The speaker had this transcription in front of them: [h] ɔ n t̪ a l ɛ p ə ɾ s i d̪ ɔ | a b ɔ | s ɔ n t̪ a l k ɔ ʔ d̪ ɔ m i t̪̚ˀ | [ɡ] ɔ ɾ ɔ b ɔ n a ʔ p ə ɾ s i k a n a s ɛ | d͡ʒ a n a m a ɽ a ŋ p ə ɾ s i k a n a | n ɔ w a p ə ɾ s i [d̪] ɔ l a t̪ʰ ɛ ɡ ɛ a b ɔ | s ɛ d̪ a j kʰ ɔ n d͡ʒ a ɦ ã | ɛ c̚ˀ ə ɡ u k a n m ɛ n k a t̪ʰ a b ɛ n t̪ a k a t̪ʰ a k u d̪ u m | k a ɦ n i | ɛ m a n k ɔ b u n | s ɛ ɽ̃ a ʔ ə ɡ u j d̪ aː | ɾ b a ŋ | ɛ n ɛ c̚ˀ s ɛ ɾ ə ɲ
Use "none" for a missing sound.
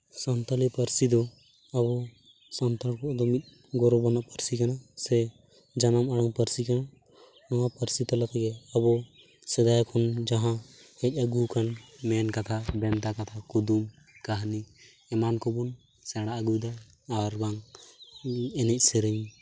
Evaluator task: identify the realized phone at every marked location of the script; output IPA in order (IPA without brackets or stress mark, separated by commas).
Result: s, ɡ, t̪